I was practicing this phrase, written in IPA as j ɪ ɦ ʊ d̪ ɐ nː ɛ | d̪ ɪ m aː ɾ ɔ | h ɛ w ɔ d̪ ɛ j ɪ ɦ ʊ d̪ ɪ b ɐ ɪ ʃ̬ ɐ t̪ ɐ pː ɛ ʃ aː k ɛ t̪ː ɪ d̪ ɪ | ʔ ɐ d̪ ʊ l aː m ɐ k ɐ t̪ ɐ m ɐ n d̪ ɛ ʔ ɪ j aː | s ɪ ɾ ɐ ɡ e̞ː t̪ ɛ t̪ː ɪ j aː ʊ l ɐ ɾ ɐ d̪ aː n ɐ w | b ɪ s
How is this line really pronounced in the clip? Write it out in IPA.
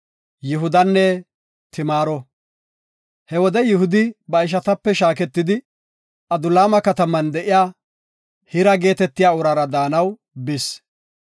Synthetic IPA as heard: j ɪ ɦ ʊ d̪ ɐ nː ɛ | t̪ ɪ m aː ɾ ɔ | h ɛ w ɔ d̪ ɛ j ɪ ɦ ʊ d̪ ɪ b ɐ ɪ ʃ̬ ɐ t̪ ɐ pː ɛ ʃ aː k ɛ t̪ː ɪ d̪ ɪ | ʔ ɐ d̪ ʊ l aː m ɐ k ɐ t̪ ɐ m ɐ n d̪ ɛ ʔ ɪ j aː | h ɪ ɾ ɐ ɡ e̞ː t̪ ɛ t̪ː ɪ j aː ʊ ɾ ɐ ɾ ɐ d̪ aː n ɐ w | b ɪ s

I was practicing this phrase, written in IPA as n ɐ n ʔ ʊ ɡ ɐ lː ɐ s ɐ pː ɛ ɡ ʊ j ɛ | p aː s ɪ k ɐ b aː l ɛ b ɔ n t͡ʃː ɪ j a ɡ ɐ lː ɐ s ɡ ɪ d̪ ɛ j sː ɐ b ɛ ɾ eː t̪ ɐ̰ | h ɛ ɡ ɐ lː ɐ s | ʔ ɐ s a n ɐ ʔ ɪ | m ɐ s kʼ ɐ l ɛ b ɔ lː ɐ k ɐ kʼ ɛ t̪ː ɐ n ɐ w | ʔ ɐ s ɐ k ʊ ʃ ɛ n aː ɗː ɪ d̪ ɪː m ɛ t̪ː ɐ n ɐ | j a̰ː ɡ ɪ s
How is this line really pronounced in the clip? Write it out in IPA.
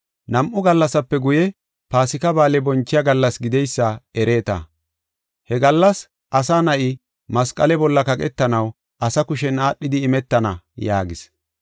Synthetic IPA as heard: n ɐ m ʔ ʊ ɡ ɐ lː ɐ s ɐ pː ɛ ɡ ʊ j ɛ | p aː s ɪ k ɐ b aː l ɛ b ɔ n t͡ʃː ɪ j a ɡ ɐ lː ɐ s ɡ ɪ d̪ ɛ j sː ɐ ɛ ɾ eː t̪ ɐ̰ | h ɛ ɡ ɐ lː ɐ s | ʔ ɐ s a n ɐ ʔ ɪ | m ɐ s kʼ ɐ l ɛ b ɔ lː ɐ k ɐ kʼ ɛ t̪ː ɐ n ɐ w | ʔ ɐ s ɐ k ʊ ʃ ɛ n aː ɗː ɪ d̪ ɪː m ɛ t̪ː ɐ n ɐ | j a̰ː ɡ ɪ s

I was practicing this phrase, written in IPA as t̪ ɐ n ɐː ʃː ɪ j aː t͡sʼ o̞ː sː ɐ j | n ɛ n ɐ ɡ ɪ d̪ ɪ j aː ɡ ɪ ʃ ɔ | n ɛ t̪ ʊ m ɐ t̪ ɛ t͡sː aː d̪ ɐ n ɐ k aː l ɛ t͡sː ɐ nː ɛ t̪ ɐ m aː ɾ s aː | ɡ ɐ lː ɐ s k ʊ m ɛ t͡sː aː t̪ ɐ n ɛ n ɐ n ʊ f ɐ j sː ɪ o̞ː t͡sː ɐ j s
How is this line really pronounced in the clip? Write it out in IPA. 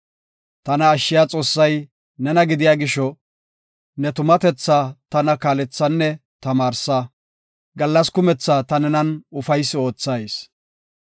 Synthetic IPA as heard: t̪ ɐ n ɐː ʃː ɪ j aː t͡sʼ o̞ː sː ɐ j | n ɛ n ɐ ɡ ɪ d̪ ɪ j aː ɡ ɪ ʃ ɔ | n ɛ t̪ ʊ m ɐ t̪ ɛ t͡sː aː t̪ ɐ n ɐ k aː l ɛ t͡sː ɐ nː ɛ t̪ ɐ m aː ɾ s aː | ɡ ɐ lː ɐ s k ʊ m ɛ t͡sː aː t̪ ɐ n ɛ n ɐ n ʊ f ɐ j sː ɪ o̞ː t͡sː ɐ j s

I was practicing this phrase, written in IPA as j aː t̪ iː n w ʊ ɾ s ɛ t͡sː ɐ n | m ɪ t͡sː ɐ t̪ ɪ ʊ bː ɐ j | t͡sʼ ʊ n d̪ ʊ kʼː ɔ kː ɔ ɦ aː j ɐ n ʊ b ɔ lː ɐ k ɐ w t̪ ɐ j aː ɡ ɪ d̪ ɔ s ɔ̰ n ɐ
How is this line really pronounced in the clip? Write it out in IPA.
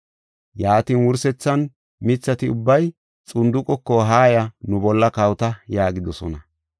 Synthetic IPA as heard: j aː t̪ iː n w ʊ ɾ s ɛ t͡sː ɐ n | m ɪ t͡sː ɐ t̪ ɪ ʊ bː ɐ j | t͡sʼ ʊ n d̪ ʊ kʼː ɔ kː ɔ ɦ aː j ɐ n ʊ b ɔ lː ɐ k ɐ w t̪ ɐ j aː ɡ ɪ d̪ ɔ s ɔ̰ n ɐ

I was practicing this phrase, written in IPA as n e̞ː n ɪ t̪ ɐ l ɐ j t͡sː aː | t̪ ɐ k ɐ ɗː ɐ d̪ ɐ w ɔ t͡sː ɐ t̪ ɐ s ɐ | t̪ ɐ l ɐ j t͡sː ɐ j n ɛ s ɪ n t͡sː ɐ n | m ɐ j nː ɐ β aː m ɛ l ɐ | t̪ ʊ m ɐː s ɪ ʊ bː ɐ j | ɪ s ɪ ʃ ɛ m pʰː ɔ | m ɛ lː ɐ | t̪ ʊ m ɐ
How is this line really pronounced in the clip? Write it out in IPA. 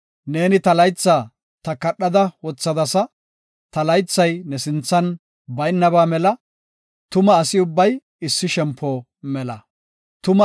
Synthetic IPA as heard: n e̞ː n ɪ t̪ ɐ l ɐ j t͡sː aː | t̪ ɐ k ɐ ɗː ɐ d̪ ɐ w ɔ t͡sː ɐ d̪ ɐ s ɐ | t̪ ɐ l ɐ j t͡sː ɐ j n ɛ s ɪ n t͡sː ɐ n | b ɐ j nː ɐ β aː m ɛ l ɐ | t̪ ʊ m ɐː s ɪ ʊ bː ɐ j | ɪ sː ɪ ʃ ɛ m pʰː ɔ | m ɛ l ɐ | t̪ ʊ m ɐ

